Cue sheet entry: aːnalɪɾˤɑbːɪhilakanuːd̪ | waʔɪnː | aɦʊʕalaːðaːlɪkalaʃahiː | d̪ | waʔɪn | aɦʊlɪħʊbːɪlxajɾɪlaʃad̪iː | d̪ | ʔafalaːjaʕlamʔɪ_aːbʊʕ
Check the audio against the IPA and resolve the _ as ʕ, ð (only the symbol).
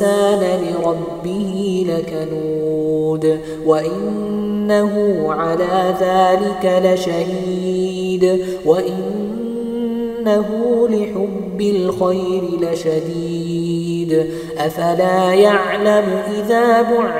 ð